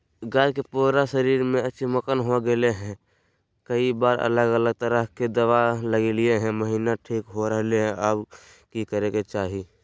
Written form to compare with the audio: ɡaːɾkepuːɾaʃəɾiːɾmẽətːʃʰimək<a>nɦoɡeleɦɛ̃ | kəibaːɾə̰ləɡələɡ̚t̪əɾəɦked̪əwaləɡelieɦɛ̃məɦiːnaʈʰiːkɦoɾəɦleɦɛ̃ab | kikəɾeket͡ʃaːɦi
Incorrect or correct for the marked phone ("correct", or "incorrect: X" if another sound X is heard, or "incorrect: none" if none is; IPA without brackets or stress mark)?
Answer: incorrect: ə